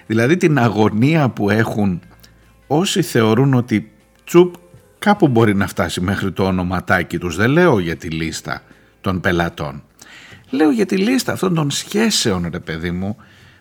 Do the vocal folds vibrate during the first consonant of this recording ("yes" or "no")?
yes